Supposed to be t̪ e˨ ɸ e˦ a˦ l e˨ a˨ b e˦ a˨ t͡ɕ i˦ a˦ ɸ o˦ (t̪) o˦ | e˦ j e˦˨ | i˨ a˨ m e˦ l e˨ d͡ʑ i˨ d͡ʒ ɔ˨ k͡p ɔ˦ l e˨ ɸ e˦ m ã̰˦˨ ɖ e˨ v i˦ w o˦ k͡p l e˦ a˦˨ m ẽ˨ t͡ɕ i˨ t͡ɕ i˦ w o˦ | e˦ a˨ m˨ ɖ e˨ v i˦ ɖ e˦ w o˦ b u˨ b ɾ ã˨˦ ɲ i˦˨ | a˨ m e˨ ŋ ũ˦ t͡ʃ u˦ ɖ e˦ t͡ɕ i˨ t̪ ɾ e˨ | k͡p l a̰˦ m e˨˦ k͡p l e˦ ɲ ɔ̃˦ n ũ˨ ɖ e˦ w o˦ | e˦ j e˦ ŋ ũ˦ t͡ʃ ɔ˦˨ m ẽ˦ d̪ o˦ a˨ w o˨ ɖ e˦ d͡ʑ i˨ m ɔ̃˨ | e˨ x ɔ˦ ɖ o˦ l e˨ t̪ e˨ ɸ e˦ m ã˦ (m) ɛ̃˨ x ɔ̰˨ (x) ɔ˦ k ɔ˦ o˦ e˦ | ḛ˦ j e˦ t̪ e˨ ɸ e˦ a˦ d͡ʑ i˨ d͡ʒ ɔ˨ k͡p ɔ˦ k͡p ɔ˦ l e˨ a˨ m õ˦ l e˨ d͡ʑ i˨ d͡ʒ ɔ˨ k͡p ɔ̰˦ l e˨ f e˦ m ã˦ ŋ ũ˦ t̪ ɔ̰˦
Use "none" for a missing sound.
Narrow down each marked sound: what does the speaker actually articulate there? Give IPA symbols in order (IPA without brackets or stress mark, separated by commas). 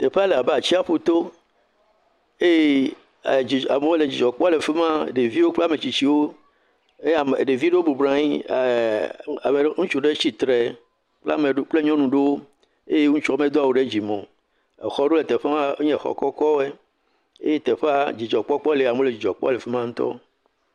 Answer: t̪, ɲ, k